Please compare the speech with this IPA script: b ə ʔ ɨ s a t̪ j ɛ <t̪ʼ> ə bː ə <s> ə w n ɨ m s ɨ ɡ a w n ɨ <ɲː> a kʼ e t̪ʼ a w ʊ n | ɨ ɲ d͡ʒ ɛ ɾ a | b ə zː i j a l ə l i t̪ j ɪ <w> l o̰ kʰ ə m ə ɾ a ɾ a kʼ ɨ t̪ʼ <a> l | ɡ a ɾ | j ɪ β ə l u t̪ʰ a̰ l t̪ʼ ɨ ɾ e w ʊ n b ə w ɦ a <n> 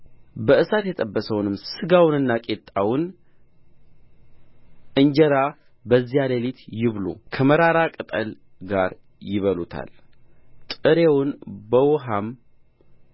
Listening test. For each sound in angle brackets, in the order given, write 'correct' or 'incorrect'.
correct, correct, incorrect: nː, incorrect: β, incorrect: ə, incorrect: m

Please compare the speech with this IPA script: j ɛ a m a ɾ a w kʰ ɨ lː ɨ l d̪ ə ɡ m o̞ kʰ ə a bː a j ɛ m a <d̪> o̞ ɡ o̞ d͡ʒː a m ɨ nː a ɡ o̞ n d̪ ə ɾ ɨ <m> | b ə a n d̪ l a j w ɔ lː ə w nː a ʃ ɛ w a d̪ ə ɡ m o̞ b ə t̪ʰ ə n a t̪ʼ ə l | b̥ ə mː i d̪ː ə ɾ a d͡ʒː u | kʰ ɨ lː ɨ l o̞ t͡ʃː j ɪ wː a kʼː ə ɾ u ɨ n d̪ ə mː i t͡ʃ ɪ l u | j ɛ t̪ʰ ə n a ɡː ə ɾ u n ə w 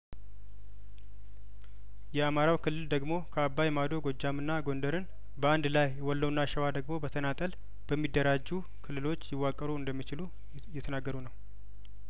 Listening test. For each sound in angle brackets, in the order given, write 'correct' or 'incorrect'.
correct, incorrect: n

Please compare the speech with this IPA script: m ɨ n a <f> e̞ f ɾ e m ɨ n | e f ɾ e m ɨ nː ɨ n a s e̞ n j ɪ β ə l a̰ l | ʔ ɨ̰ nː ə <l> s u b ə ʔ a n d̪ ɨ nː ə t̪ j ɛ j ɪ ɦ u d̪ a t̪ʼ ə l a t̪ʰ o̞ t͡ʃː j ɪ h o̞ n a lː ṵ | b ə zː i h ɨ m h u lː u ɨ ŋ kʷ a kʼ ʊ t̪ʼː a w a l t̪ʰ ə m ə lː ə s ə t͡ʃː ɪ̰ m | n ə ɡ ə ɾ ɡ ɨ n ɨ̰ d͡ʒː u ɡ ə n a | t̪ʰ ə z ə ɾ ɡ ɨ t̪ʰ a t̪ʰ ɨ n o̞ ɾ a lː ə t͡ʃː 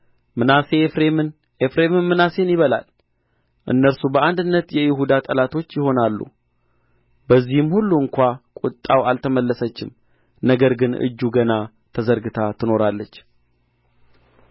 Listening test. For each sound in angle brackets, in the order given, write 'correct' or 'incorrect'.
incorrect: s, incorrect: ɾ

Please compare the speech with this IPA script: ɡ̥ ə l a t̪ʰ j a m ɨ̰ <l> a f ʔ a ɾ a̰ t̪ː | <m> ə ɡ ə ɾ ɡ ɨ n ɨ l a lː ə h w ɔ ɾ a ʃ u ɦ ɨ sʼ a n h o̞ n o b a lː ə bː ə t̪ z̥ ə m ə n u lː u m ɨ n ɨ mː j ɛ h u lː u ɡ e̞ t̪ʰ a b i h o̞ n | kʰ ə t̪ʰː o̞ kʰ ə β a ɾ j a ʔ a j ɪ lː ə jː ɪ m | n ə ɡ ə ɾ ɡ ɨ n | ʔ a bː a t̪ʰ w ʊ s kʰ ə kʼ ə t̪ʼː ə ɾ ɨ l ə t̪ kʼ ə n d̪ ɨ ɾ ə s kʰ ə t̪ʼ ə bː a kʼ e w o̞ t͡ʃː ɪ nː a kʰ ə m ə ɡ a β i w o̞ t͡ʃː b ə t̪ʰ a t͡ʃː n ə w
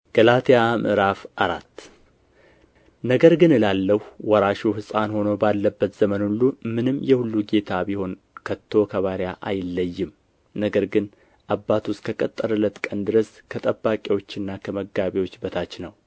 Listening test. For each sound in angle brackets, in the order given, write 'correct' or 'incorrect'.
incorrect: ɾ, incorrect: n

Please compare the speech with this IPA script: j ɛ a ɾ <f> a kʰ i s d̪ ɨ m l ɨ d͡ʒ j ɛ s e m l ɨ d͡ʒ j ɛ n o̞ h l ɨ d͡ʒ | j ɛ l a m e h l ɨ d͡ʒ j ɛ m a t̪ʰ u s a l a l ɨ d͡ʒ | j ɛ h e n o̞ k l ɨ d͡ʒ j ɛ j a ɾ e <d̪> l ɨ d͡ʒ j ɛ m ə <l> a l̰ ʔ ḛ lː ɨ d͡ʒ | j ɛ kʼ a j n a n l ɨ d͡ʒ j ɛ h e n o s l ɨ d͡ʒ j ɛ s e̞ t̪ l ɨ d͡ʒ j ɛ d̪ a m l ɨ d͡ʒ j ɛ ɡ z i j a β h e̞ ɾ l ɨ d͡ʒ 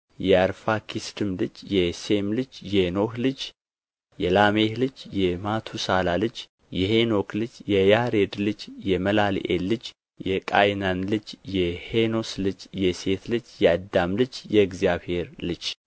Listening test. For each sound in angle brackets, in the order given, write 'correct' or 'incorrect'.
correct, correct, correct

